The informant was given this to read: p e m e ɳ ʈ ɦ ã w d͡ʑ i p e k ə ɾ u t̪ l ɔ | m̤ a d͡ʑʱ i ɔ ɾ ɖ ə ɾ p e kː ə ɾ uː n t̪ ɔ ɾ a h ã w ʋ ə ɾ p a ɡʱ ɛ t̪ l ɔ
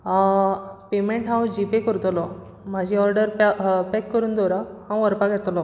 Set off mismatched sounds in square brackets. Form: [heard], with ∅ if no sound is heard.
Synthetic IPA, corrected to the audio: p e m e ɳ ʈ ɦ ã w d͡ʑ i p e k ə ɾ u t̪ l ɔ | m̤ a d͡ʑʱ i ɔ ɾ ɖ ə ɾ p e kː ə ɾ uː n [d̪] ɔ ɾ a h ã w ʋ ə ɾ p a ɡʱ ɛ t̪ l ɔ